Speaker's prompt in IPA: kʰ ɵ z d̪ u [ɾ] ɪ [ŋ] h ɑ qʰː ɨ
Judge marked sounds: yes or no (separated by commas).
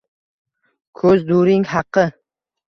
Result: yes, yes